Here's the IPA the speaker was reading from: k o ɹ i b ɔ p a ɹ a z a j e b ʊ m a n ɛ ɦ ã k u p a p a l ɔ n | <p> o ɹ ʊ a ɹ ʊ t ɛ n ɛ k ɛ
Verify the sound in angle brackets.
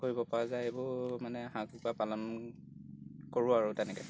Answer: incorrect: k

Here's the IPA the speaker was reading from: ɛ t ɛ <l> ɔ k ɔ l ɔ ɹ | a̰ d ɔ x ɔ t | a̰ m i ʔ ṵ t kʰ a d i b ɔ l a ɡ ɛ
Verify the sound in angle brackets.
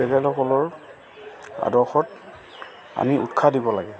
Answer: correct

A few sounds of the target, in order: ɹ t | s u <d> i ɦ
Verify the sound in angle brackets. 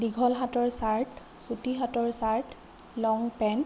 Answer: incorrect: t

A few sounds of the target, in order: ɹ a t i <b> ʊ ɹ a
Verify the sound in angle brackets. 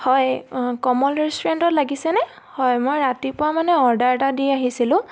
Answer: incorrect: p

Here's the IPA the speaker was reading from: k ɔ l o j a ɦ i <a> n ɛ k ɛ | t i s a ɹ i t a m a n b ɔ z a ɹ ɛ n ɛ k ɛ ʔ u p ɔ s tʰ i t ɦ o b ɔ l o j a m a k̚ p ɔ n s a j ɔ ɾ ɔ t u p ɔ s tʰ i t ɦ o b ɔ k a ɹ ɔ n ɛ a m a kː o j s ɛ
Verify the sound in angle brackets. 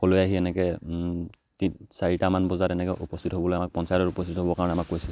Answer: incorrect: ɛ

